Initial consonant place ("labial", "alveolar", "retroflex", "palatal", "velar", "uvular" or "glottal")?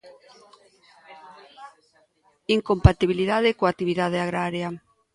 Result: velar